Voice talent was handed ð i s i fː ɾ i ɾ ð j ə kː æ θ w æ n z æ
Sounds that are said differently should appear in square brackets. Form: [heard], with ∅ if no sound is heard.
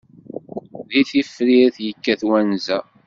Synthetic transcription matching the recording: ð i [θ] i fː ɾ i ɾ [θ] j ə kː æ θ w æ n z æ